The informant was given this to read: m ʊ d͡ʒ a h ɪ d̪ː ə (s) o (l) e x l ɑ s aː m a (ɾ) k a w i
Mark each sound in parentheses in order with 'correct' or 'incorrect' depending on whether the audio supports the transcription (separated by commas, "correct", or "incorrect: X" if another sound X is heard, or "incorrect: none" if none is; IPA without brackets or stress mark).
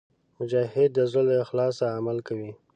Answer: incorrect: z, correct, incorrect: l